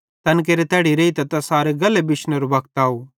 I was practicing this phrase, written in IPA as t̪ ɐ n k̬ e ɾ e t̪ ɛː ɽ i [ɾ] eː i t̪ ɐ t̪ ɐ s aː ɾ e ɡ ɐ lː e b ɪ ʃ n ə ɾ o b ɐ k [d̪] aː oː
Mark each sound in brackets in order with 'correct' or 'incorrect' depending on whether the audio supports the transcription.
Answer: correct, incorrect

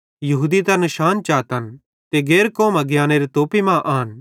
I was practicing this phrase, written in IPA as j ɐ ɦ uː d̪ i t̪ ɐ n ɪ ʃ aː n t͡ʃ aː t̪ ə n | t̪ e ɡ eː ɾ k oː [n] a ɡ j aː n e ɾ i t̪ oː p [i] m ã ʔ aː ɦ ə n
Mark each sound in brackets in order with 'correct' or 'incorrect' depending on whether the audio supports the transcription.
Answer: incorrect, correct

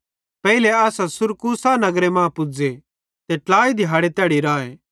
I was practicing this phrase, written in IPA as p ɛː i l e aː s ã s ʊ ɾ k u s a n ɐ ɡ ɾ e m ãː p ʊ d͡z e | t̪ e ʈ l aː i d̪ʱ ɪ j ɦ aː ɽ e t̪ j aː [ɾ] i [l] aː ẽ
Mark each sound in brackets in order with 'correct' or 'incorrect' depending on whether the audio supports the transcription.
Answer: incorrect, incorrect

